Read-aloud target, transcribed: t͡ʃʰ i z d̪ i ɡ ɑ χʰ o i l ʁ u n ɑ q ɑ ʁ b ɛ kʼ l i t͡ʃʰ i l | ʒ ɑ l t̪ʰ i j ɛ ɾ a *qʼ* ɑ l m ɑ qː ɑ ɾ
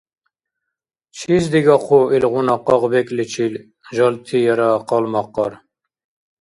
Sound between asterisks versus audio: incorrect: q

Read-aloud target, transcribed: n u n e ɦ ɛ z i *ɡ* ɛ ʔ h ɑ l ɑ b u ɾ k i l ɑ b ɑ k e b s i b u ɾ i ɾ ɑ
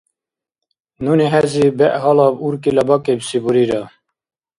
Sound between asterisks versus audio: incorrect: b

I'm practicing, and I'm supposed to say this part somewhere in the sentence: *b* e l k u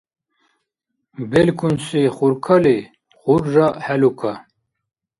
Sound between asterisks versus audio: correct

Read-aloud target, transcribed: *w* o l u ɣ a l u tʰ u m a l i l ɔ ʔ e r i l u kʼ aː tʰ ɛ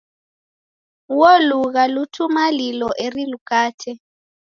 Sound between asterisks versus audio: correct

